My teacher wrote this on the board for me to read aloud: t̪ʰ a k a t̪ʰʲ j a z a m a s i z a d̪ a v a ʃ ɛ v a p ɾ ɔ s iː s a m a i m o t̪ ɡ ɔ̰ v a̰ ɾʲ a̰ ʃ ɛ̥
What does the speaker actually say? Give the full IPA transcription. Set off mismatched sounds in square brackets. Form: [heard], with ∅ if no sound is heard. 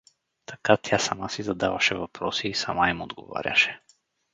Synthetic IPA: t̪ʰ a k a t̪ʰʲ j a [s] a m a s i z a d̪ a v a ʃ ɛ v a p ɾ ɔ s iː s a m a i m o [d̪] ɡ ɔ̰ v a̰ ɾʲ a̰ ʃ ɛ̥